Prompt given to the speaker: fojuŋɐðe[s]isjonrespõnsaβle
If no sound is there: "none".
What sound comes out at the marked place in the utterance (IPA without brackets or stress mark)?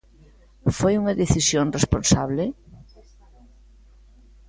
θ